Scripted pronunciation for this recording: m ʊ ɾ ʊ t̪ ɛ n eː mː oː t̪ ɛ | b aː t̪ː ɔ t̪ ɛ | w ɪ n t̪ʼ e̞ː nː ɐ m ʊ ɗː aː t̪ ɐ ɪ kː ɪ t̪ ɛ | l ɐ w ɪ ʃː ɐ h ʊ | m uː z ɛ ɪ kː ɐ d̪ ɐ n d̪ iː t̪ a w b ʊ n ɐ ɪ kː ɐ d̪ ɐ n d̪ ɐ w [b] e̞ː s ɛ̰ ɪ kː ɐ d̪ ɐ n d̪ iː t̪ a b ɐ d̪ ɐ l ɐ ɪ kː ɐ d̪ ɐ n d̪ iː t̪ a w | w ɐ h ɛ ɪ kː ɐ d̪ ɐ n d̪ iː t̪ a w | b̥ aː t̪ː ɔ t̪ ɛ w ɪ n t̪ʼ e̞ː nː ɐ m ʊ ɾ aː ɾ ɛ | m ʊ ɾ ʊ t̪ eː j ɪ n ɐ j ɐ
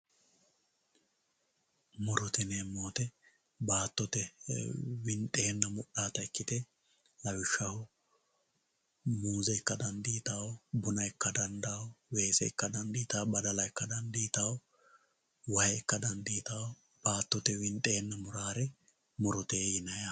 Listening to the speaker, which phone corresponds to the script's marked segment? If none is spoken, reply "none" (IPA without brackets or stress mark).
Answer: w